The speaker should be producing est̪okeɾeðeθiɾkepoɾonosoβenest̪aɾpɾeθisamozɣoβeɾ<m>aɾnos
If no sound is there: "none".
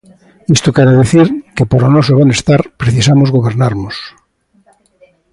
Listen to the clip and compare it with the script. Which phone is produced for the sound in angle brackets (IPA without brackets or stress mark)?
n